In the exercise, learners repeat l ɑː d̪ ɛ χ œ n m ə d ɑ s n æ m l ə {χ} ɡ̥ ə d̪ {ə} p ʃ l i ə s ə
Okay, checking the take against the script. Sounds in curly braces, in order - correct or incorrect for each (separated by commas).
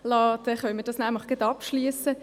correct, incorrect